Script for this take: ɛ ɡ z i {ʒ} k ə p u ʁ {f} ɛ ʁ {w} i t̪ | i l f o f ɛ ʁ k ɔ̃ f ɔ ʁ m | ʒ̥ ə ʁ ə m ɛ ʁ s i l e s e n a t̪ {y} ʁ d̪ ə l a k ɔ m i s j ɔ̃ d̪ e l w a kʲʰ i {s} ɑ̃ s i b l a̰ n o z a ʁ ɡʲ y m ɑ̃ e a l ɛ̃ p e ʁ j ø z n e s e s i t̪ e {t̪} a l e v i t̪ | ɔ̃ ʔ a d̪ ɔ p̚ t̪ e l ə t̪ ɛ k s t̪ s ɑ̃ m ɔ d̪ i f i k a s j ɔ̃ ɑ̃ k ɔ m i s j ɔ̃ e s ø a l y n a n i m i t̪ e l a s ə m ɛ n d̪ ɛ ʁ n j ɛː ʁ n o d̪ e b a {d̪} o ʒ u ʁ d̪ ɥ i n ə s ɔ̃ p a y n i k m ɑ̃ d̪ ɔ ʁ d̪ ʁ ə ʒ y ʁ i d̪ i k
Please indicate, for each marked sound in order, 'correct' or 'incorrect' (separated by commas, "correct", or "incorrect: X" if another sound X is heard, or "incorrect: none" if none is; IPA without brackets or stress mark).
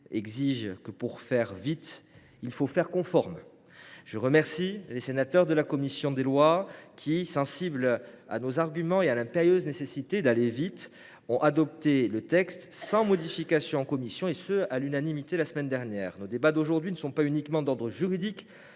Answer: correct, correct, incorrect: v, incorrect: œ, correct, incorrect: d̪, correct